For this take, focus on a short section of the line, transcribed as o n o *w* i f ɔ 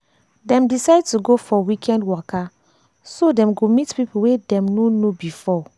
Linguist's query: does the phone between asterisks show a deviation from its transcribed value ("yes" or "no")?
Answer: yes